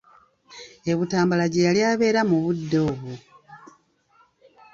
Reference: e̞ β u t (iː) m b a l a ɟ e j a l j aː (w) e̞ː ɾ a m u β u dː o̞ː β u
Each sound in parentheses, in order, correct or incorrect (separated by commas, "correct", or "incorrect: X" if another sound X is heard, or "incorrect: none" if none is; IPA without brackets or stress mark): incorrect: aː, incorrect: β